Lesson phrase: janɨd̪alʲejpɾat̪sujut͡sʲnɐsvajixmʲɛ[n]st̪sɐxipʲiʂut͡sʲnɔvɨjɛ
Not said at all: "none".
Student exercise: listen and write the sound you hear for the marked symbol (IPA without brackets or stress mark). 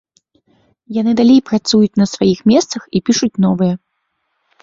none